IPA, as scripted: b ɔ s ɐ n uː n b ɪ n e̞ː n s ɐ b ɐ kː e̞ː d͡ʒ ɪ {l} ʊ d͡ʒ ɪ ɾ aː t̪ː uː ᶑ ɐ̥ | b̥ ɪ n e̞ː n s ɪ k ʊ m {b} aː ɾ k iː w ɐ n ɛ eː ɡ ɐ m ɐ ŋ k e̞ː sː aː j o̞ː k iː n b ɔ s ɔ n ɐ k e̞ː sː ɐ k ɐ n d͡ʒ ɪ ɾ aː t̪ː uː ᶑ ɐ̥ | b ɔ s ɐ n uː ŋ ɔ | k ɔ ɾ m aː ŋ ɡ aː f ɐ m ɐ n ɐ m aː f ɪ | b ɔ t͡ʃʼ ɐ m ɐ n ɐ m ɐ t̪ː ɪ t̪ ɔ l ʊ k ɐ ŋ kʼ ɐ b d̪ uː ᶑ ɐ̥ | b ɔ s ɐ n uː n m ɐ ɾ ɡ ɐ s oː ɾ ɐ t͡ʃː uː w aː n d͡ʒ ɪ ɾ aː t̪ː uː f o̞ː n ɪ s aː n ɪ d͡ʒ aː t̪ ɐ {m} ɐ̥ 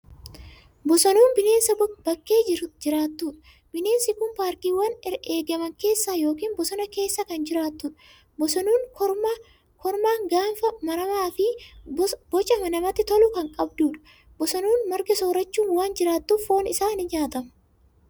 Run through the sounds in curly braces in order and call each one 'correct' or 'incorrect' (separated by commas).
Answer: incorrect, incorrect, correct